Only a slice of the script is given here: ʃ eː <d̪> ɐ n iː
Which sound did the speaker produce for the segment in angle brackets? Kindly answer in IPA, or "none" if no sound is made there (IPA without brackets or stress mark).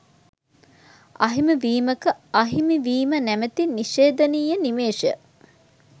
d̪